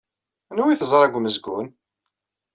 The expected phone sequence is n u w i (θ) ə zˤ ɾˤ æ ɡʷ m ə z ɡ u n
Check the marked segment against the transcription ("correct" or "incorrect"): correct